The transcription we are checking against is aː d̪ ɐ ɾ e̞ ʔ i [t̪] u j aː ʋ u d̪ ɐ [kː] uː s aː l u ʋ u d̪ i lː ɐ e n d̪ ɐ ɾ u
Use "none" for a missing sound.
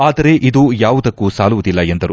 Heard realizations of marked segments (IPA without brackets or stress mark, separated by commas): d̪, kː